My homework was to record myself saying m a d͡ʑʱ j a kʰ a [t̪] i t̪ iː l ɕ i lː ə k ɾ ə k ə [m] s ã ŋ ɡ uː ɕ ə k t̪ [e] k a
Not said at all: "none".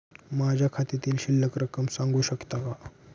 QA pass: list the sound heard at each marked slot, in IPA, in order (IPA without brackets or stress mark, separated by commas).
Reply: t̪, m, a